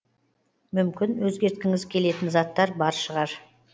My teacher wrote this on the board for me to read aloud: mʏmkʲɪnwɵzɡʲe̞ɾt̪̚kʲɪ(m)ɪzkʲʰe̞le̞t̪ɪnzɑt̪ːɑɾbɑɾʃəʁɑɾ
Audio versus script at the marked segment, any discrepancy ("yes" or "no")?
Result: yes